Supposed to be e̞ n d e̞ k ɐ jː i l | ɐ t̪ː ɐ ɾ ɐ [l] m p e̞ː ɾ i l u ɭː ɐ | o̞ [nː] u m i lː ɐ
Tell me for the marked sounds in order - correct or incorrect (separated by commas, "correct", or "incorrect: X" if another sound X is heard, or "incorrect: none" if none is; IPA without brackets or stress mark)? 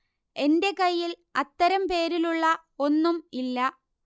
incorrect: none, correct